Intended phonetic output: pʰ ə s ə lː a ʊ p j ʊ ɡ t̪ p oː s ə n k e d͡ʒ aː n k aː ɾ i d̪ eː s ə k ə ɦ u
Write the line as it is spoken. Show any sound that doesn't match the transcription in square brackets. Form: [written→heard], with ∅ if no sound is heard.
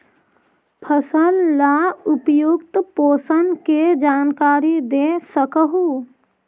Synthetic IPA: pʰ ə s ə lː a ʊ p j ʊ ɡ t̪ p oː s ə n k e d͡ʒ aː n k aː ɾ i d̪ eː s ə k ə ɦ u